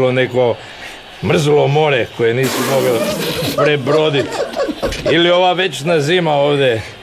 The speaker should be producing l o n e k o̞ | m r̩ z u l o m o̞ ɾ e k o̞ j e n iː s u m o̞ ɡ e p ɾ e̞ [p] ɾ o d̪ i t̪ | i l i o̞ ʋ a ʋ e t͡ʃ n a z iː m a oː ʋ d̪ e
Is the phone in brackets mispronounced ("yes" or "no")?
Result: yes